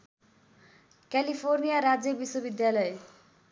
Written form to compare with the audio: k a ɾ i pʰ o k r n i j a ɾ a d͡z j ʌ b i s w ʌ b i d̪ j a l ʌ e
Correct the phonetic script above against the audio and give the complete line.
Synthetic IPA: k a l i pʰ o r n i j a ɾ a d͡z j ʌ b i s w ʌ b i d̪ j a l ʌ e

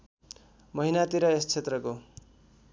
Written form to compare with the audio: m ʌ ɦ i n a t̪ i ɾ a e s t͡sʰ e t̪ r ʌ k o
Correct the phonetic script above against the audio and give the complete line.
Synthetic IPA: m ʌ ɦ i n a t̪ i ɾ ʌ e s t͡sʰ e t̪ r ʌ k o

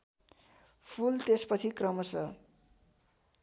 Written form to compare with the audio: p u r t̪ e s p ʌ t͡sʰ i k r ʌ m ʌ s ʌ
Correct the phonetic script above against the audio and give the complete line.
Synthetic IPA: pʰ u l t̪ e s p ʌ t͡sʰ i k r ʌ m ʌ s ʌ

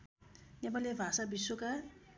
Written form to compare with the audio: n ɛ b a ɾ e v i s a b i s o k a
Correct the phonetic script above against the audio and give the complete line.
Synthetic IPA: n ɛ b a l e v a s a b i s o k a

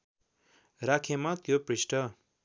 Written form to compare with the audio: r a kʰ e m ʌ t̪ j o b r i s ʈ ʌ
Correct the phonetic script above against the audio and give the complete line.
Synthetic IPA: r a kʰ e m a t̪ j o p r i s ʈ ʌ

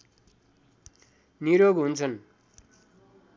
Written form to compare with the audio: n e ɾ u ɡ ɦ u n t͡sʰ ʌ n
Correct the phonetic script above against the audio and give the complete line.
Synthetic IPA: n i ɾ o ɡ ɦ u n t͡sʰ ʌ n

